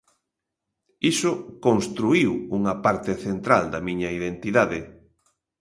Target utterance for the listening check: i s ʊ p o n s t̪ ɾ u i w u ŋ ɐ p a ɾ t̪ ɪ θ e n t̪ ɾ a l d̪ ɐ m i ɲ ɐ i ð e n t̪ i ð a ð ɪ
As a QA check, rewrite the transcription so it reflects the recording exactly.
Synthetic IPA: i s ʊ k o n s t̪ ɾ u i w u ŋ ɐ p a ɾ t̪ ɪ θ e n t̪ ɾ a l d̪ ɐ m i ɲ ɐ i ð e n t̪ i ð a ð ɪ